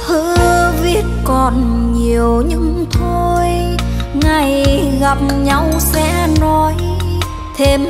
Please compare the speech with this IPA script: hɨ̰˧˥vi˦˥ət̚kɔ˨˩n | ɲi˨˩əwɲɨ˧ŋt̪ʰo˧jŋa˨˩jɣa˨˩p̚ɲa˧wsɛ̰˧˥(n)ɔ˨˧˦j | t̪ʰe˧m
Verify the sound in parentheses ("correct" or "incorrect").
correct